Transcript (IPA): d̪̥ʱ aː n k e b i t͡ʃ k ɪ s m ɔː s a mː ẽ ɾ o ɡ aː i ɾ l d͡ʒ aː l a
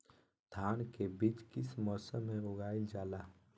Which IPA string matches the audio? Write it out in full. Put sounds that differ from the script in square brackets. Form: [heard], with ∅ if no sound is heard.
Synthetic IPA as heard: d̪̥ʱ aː n k e b i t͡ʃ k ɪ s m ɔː s [ə] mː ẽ ɾ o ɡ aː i [∅] l d͡ʒ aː l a